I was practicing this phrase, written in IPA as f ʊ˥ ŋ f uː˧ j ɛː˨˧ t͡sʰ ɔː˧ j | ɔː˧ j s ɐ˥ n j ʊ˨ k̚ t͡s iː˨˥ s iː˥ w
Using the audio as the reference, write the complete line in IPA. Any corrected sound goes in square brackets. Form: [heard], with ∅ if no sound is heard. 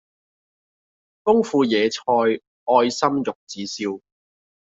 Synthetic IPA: f ʊ˥ ŋ f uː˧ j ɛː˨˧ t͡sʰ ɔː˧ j | ɔː˧ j s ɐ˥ [m] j ʊ˨ k̚ t͡s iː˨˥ s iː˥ w